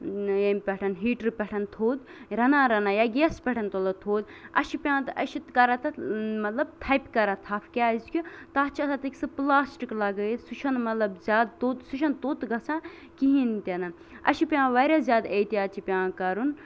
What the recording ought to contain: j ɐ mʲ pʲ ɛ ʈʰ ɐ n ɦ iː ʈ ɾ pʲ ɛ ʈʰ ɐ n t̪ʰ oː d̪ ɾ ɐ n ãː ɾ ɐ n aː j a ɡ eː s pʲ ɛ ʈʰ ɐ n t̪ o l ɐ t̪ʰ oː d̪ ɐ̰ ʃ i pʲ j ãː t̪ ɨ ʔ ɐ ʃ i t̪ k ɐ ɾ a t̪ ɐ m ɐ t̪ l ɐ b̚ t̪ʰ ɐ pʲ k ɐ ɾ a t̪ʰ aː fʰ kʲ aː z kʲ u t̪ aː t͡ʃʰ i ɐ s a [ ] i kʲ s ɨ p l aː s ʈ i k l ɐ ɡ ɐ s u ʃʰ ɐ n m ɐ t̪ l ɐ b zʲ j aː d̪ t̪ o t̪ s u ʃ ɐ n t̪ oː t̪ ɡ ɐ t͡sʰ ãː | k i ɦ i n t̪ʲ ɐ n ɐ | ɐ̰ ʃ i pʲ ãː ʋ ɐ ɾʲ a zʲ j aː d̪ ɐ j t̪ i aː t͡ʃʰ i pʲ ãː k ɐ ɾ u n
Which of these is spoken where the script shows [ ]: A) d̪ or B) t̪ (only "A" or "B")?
B